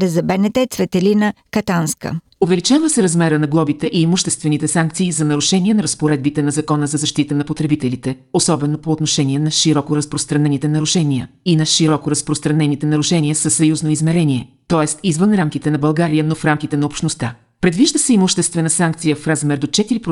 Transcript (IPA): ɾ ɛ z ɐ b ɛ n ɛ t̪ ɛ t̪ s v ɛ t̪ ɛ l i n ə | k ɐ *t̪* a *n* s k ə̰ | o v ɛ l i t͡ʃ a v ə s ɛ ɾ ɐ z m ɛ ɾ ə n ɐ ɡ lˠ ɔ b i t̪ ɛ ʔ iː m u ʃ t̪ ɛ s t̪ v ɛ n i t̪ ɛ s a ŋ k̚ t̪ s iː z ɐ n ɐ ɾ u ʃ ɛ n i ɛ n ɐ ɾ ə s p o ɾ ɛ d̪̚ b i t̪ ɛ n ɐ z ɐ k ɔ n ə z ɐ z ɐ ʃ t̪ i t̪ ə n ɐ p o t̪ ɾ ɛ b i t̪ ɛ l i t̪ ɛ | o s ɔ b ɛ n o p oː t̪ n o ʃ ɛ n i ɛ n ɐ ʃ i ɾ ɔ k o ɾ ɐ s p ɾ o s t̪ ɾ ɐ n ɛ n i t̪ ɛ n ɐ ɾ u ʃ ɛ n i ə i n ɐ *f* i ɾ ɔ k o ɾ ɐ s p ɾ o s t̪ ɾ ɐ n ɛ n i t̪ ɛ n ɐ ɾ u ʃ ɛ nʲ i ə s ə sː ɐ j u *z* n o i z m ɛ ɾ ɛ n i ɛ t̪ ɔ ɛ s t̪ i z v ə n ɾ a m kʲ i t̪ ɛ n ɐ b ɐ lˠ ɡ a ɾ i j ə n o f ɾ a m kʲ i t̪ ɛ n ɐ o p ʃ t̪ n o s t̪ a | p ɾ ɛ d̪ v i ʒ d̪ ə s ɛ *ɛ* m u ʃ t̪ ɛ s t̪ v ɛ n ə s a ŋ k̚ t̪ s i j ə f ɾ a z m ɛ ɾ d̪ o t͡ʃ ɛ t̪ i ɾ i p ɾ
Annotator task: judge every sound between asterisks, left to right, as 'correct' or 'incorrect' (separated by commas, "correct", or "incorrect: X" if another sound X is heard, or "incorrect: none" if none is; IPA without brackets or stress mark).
correct, correct, incorrect: ʃ, correct, incorrect: i